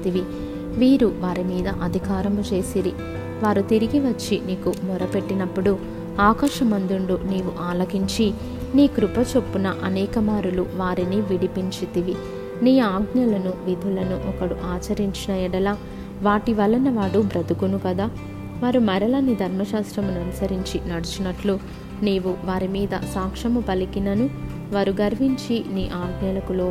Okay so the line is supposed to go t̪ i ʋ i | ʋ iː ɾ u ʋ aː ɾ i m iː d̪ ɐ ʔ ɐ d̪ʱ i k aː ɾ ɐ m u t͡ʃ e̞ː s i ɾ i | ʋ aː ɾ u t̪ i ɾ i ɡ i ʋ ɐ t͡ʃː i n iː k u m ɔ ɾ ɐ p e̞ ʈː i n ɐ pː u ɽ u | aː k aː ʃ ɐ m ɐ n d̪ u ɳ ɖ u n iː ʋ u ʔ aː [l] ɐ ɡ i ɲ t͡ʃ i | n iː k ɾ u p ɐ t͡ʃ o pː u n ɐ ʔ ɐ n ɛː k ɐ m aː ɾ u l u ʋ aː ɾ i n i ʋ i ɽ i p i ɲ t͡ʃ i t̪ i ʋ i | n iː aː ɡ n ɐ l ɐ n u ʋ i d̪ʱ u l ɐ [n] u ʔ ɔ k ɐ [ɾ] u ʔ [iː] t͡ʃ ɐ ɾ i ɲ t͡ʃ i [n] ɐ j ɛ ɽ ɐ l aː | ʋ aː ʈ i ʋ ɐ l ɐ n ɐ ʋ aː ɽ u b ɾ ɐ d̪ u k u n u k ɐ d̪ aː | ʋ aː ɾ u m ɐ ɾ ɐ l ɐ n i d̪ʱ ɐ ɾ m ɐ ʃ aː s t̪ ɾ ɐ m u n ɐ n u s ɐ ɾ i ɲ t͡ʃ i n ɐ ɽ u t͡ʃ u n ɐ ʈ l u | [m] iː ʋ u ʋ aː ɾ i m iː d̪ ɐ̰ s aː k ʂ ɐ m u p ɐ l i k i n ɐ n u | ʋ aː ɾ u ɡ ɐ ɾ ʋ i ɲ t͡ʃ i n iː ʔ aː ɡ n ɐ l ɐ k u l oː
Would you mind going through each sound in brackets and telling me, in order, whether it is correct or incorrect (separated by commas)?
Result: correct, correct, incorrect, incorrect, correct, incorrect